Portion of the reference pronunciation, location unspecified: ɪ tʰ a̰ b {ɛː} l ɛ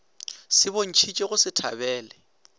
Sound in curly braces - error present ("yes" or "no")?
no